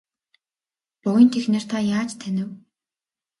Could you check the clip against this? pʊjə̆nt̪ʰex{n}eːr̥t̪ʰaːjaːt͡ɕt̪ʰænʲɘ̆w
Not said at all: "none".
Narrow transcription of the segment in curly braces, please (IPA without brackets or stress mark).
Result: n